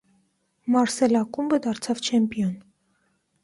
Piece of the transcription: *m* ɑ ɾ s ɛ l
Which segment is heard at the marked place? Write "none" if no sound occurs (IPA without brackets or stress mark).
m